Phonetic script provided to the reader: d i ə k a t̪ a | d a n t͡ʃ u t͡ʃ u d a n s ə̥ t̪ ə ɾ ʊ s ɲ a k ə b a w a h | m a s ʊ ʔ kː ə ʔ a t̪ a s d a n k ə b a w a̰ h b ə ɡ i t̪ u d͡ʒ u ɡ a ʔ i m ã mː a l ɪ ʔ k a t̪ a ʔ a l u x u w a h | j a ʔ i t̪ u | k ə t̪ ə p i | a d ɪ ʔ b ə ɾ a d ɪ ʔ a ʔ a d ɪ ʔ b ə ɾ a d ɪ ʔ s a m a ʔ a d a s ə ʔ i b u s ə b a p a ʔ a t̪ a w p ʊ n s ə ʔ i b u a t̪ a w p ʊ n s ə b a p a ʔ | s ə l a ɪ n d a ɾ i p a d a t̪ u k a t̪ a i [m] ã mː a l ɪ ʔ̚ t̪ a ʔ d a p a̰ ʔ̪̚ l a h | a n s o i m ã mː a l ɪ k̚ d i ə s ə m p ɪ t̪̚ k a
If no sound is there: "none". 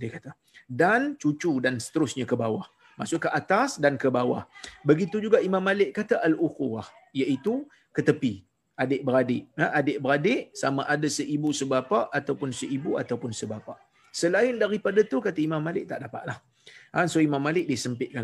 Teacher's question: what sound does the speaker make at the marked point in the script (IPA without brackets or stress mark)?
m